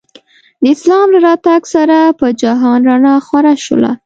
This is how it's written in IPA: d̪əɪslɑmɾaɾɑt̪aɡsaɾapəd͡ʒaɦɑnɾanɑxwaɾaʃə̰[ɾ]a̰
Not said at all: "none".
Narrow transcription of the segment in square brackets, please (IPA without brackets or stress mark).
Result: l